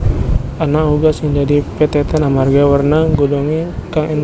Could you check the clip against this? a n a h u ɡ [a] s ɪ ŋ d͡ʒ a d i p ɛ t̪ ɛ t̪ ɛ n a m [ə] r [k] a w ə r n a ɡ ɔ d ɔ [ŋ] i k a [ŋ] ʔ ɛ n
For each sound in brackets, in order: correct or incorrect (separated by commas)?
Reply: correct, incorrect, incorrect, correct, correct